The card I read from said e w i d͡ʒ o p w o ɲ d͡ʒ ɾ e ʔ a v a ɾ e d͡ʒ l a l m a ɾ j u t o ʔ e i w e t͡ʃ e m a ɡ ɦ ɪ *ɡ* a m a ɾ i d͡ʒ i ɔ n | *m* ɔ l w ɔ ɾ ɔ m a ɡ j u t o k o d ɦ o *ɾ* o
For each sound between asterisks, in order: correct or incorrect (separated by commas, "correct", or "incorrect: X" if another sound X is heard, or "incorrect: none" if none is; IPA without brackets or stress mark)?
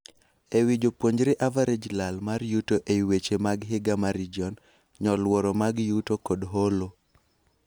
correct, incorrect: ɲ, incorrect: l